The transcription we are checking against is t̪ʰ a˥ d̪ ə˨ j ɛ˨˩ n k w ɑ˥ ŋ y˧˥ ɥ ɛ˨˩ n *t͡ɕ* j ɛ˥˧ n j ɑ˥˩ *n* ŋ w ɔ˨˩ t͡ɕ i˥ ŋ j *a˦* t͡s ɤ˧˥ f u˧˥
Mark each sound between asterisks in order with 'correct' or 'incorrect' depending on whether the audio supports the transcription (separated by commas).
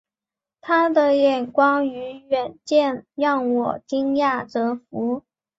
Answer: correct, incorrect, incorrect